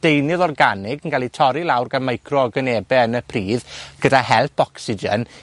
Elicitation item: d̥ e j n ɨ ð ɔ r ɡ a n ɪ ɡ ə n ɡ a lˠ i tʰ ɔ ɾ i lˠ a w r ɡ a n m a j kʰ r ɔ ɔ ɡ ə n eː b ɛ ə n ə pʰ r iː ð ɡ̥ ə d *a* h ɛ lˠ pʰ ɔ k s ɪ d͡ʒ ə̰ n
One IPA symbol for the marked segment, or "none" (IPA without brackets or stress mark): a